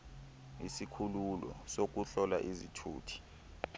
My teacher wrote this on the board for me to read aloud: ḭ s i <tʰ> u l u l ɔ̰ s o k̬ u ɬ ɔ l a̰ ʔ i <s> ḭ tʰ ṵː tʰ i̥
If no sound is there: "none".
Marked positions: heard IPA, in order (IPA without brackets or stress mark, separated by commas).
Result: kʰ, z